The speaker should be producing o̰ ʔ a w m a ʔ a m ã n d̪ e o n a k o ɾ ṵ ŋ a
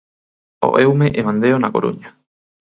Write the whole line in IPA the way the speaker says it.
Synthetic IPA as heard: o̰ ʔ e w m e ʔ e m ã n d̪ e o n a k o ɾ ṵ ɲ a